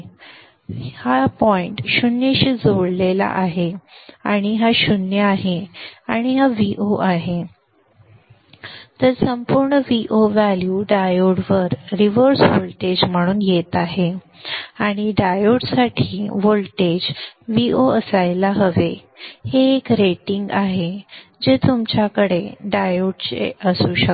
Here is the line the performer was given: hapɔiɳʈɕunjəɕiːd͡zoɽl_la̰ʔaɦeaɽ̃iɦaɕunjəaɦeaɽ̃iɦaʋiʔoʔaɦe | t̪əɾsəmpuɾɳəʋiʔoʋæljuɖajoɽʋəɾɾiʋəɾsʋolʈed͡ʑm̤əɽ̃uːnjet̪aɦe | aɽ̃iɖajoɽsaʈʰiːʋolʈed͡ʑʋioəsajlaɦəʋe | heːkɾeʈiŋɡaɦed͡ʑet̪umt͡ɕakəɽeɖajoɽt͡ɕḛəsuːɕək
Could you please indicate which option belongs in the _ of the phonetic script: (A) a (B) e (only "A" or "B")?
B